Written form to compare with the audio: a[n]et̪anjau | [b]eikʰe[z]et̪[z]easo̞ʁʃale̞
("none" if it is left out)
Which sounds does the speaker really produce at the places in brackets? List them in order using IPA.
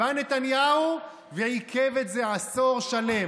n, v, v, z

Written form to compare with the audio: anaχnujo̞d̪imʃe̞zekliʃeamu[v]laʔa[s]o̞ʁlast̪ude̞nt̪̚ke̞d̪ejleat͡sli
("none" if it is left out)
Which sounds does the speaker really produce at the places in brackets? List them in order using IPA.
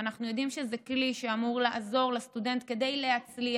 ʁ, z

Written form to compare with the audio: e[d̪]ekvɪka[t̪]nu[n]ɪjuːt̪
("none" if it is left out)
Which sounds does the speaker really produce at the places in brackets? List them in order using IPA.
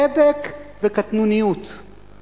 d̪, t̪, n

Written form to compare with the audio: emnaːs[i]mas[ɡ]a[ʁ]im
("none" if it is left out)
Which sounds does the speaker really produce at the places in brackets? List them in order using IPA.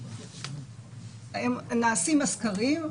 i, k, ʁ

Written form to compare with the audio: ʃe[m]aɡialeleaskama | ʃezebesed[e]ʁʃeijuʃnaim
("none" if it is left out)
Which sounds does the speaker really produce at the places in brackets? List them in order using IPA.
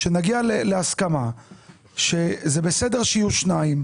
n, e

